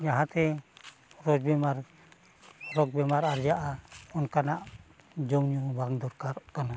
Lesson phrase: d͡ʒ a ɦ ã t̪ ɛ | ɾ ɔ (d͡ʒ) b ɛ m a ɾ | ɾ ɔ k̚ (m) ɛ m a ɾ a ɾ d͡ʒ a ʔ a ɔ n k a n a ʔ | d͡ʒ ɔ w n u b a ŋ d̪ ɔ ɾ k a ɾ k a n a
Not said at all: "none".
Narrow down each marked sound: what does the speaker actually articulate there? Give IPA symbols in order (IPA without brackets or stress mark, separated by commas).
d͡ʒ, b